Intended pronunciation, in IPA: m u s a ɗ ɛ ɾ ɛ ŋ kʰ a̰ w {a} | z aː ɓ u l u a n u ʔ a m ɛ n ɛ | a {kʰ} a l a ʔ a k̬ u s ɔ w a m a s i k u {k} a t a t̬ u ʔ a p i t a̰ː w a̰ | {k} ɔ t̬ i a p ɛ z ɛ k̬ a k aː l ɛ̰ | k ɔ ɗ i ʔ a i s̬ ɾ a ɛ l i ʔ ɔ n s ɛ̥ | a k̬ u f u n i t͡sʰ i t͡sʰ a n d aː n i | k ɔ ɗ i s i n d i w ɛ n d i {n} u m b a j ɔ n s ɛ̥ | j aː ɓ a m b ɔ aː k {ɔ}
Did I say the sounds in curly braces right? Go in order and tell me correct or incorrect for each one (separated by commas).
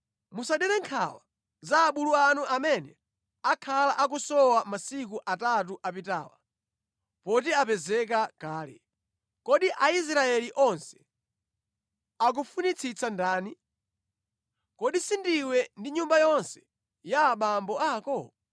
correct, correct, incorrect, incorrect, incorrect, correct